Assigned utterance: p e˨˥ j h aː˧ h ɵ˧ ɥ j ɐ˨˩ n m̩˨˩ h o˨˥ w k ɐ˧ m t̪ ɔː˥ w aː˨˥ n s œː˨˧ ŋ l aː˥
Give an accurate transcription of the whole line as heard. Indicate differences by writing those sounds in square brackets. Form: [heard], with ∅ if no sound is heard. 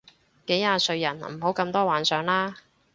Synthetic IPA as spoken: [k] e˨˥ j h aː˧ [s] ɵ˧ ɥ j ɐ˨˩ n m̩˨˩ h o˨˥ w k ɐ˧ m t̪ ɔː˥ w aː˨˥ n s œː˨˧ ŋ l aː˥